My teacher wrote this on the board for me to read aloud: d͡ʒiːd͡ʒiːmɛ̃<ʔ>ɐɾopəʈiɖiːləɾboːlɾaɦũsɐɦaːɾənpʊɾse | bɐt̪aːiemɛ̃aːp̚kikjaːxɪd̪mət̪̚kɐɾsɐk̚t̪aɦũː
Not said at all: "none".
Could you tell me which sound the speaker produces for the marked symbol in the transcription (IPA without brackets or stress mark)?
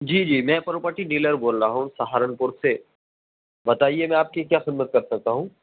p